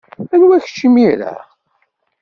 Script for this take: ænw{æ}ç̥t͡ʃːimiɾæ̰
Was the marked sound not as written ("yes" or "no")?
no